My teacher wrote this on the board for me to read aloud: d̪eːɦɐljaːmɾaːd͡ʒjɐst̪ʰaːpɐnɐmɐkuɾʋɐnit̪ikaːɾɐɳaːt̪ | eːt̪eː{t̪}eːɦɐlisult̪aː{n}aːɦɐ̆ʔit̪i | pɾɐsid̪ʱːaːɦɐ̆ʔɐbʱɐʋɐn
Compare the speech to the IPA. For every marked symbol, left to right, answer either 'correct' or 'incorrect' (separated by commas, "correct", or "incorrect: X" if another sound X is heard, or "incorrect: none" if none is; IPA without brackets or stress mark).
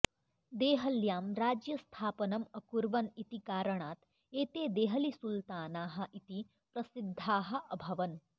incorrect: d̪, correct